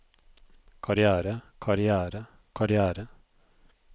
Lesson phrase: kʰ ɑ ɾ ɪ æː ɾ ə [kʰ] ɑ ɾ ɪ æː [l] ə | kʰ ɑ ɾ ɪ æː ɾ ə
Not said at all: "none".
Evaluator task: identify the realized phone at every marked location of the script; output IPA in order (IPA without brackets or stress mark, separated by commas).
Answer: kʰ, ɾ